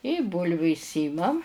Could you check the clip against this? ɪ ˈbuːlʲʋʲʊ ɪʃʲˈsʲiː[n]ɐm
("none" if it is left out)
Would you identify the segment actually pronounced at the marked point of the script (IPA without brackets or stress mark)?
m